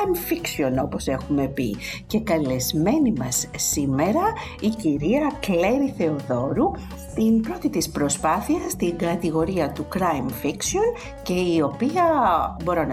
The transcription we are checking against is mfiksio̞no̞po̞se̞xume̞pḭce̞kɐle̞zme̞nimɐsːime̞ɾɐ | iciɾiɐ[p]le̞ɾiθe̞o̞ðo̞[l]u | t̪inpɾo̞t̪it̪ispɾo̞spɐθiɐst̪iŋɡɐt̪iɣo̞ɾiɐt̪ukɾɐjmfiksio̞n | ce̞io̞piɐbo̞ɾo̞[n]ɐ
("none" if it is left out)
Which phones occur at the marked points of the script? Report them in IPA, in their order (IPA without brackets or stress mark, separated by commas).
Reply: k, ɾ, n